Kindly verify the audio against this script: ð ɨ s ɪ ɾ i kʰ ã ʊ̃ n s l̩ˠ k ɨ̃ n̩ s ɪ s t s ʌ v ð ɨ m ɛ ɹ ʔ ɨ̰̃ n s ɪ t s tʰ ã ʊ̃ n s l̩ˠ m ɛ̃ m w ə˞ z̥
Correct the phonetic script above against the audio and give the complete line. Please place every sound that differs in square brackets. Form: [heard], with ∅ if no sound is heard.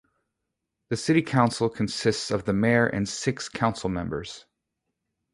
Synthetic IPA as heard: ð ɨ s ɪ ɾ i kʰ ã ʊ̃ n s l̩ˠ [kʰ] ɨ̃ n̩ s ɪ s t s ʌ v ð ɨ m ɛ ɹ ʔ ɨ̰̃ n s ɪ [k] s [kʰ] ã ʊ̃ n s l̩ˠ m ɛ̃ m [b] ə˞ z̥